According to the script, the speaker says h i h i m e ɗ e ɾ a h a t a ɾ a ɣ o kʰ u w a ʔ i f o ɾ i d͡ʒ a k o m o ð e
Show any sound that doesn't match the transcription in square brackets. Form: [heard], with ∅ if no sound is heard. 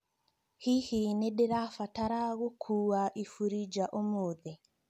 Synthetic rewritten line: h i h i [n] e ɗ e ɾ a [f] a t a ɾ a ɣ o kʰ u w a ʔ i f [u] ɾ i d͡ʒ a [ʔ] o m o ð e